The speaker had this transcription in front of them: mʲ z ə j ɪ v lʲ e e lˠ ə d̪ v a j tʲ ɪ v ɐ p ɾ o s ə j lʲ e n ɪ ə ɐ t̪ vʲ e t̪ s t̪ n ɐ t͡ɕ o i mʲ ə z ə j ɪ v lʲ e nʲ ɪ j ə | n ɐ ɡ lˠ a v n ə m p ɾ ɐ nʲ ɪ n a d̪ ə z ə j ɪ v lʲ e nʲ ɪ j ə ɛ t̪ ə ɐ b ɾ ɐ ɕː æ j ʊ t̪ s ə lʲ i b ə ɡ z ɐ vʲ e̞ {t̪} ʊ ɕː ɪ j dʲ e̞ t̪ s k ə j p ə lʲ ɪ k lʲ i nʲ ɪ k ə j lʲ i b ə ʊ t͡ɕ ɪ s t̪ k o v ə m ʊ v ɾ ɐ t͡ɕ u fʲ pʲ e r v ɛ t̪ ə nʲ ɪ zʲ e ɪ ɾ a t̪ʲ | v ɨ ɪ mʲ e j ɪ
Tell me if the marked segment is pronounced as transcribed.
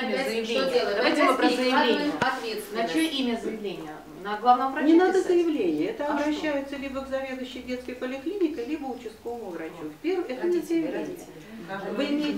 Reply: no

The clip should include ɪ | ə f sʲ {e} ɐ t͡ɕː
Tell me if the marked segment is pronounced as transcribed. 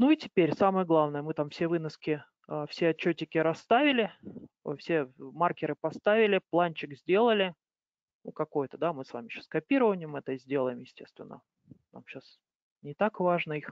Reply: yes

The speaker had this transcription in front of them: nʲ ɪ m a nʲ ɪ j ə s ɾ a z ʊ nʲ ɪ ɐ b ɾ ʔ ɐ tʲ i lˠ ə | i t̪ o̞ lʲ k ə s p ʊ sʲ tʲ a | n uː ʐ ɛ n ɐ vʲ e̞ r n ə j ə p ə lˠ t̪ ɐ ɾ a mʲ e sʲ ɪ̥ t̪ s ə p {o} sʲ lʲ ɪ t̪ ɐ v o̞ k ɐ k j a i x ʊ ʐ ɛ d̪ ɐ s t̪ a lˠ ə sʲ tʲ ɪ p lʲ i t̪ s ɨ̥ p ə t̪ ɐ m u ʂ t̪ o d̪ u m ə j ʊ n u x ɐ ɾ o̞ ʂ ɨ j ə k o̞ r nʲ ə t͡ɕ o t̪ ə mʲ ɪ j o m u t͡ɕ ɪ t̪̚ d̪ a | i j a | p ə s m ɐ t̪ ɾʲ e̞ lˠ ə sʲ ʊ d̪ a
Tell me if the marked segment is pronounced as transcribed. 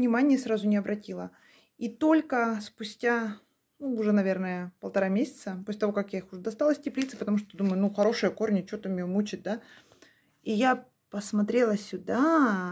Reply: yes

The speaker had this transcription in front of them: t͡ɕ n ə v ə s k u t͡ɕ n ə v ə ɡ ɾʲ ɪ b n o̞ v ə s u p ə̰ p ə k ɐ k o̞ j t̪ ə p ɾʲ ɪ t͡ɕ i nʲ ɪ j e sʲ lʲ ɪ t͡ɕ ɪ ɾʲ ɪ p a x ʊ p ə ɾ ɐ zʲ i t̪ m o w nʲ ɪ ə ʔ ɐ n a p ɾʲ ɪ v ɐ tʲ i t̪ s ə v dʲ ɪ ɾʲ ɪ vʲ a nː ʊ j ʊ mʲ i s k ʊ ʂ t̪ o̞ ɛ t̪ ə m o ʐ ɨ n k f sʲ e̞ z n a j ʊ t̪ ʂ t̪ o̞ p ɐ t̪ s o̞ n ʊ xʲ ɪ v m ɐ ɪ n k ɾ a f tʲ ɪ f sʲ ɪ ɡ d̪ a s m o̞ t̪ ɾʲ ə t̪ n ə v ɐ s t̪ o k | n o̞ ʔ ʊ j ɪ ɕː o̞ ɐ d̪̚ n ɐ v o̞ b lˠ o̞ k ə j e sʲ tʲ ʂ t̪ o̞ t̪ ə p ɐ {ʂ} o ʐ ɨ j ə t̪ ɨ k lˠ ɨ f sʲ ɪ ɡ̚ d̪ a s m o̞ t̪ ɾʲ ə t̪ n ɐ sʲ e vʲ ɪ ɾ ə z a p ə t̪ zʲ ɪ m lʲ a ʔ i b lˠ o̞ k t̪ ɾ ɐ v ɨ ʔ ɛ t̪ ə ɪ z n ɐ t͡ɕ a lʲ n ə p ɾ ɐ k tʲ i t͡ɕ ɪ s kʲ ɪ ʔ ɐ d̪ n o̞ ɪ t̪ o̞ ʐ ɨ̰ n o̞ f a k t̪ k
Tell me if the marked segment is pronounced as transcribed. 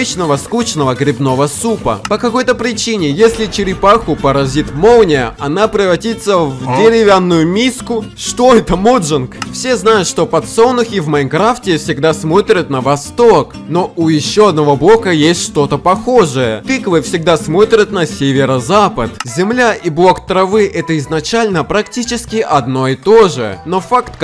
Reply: no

